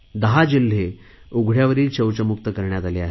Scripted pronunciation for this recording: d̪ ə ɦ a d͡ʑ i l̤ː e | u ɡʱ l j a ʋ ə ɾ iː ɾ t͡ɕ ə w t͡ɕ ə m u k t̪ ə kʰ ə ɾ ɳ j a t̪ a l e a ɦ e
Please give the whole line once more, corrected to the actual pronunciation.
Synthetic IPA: d̪ ə ɦ a d͡ʑ i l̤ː e | u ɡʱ ɽ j a ʋ ə ɾ iː l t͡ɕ ə w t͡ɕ ə m u k t̪ ə k ə ɾ ɳ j a t̪ a l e a ɦ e

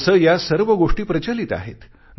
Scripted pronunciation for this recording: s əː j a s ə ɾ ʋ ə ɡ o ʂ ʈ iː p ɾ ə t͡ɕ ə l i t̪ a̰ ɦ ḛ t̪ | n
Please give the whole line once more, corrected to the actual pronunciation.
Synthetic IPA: s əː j a s ə ɾ ʋ ə ɡ o ʂ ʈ iː p ɾ ə t͡ɕ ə l i t̪ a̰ ɦ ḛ t̪ | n

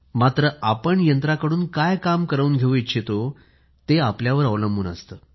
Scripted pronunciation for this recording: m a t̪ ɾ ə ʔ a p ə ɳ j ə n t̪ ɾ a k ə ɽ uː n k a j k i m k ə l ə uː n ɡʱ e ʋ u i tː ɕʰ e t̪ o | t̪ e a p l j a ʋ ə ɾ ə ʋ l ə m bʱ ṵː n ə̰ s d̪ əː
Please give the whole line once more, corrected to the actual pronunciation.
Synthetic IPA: m a t̪ ɾ ə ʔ a p ə ɳ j ə n t̪ ɾ a k ə ɽ uː n k a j k a m k ə ɾ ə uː n ɡʱ e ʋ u i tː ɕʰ e t̪ o | t̪ e a p l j a ʋ ə ɾ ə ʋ l ə m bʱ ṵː n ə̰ s t̪ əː

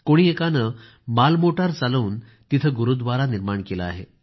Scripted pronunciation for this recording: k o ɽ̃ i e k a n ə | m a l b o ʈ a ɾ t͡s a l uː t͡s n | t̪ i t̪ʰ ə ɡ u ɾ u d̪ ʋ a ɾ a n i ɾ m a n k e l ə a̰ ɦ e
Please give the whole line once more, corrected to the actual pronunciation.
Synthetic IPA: k o ɽ̃ i e k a n ə | m a l m o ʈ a ɾ t͡s a l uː n | t̪ i t̪ʰ ə ɡ u ɾ u d̪ ʋ a ɾ a n i ɾ m a ɳ k e l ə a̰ ɦ e

